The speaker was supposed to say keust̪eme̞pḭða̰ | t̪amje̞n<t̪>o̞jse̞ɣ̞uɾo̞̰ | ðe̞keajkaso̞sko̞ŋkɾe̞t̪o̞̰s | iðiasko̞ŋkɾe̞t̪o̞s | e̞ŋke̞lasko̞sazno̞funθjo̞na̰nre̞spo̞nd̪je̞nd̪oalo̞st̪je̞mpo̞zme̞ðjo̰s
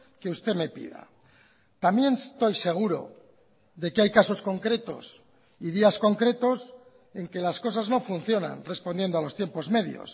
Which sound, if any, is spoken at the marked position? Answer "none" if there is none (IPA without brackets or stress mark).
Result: t̪